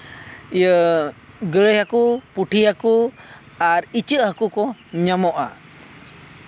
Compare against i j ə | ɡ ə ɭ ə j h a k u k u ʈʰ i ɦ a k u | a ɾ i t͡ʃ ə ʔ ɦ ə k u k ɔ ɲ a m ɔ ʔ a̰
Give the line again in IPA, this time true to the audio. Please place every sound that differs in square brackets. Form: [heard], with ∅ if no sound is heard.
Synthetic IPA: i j ə | ɡ ə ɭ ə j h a k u [p] u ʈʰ i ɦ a k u | a ɾ i t͡ʃ ə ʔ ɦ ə k u k ɔ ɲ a m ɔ ʔ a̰